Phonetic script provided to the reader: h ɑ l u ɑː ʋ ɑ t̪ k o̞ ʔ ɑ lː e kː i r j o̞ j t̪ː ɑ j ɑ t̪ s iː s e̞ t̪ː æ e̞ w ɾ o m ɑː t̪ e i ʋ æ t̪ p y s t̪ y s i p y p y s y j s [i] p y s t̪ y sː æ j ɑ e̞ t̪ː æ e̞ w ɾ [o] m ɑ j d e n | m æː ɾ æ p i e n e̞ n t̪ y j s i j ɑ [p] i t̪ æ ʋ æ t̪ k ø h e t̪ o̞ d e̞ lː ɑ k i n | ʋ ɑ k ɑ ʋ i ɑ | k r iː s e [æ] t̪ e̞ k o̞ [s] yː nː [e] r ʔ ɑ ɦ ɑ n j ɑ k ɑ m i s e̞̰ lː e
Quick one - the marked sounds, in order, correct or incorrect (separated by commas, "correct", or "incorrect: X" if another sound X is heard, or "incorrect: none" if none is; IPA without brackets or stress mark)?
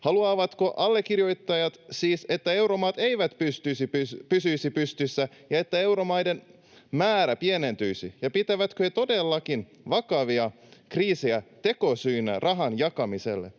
correct, correct, correct, correct, correct, incorrect: æ